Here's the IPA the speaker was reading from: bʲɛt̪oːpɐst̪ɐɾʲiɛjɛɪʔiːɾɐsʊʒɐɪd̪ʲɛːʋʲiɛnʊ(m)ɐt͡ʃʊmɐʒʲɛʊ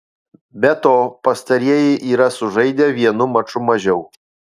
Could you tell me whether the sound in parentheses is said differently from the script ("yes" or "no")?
no